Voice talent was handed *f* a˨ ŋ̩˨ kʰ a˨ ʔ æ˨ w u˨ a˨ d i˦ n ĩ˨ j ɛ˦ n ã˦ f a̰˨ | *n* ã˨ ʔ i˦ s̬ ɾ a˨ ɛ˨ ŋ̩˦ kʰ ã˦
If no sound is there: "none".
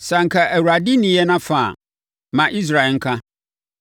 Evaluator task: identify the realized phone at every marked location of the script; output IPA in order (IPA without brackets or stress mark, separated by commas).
s, m